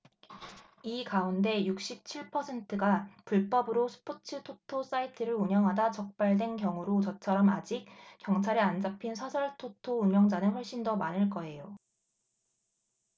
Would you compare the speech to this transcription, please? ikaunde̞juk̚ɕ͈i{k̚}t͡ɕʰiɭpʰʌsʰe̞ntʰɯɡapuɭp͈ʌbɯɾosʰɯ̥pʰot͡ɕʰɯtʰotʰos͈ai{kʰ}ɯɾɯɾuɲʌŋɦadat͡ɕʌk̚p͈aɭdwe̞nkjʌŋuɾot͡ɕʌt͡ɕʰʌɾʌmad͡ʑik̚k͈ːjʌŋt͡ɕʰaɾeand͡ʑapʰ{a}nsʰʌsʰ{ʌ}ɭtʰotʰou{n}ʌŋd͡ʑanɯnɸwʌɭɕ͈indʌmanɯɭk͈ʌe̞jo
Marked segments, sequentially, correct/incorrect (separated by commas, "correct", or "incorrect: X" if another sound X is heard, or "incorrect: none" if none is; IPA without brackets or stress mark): incorrect: p̚, incorrect: tʰ, incorrect: i, correct, incorrect: ɲ